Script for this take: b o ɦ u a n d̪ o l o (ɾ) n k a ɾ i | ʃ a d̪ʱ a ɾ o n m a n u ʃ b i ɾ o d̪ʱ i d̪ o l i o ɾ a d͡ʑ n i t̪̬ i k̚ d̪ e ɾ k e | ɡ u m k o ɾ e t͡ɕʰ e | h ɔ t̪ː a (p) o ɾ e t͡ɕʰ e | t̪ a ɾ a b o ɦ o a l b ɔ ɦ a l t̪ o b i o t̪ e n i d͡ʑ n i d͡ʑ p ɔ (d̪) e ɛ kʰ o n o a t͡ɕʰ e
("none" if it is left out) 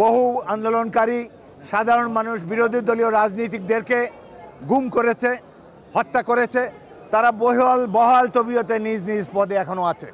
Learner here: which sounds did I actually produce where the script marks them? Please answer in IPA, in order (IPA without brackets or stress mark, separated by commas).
none, k, d̪